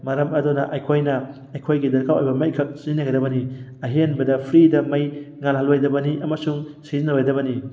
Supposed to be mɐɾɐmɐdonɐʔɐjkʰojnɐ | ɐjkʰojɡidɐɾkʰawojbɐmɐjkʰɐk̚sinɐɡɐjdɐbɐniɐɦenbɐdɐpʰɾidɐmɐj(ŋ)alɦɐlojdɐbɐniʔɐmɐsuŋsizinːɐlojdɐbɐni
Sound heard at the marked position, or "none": ŋ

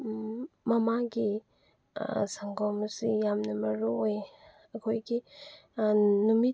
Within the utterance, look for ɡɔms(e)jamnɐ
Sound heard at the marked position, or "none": i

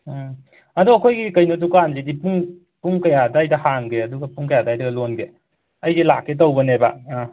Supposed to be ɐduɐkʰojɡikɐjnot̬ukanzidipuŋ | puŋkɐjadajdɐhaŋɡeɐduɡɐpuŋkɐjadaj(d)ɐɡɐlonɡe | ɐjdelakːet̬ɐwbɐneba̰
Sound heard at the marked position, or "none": d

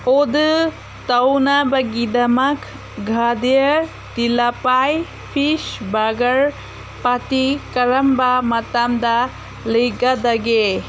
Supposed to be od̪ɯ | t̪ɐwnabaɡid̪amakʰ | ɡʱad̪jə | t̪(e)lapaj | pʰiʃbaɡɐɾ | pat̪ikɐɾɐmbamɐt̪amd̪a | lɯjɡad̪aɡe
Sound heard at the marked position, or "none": i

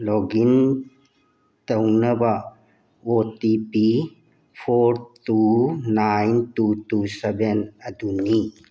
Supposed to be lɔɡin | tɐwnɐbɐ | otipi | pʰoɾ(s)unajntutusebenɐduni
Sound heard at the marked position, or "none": t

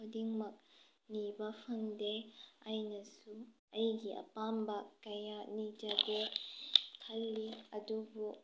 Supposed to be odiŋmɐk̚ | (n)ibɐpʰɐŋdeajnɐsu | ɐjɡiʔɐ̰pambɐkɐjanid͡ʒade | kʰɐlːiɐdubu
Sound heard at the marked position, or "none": n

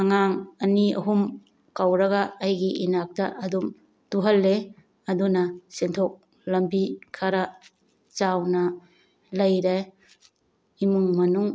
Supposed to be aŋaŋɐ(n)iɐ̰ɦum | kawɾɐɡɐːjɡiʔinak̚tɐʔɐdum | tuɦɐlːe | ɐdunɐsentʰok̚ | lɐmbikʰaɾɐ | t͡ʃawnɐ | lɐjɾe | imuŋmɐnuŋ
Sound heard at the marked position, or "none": n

